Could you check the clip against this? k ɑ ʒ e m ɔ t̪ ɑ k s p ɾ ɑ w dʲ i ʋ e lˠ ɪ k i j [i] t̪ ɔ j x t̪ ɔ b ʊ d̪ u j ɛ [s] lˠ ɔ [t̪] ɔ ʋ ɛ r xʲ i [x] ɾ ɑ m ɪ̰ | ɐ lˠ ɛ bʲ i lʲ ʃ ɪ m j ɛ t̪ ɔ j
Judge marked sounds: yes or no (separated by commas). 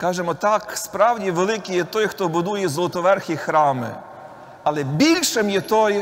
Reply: no, no, yes, yes